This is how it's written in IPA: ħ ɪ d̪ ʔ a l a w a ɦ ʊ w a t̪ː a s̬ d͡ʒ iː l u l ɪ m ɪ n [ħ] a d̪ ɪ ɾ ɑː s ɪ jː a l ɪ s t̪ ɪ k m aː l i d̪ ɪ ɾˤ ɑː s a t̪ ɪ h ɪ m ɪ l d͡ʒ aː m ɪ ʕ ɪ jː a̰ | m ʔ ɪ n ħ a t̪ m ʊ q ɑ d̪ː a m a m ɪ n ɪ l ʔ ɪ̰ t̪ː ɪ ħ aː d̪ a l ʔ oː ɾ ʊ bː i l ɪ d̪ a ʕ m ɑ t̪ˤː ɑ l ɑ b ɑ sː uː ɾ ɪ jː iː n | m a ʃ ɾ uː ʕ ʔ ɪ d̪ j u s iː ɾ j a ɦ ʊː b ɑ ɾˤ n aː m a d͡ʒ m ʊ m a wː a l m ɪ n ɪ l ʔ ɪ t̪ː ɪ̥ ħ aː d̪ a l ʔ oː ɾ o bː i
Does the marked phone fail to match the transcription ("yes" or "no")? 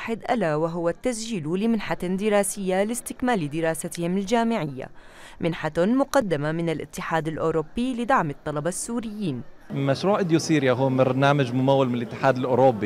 no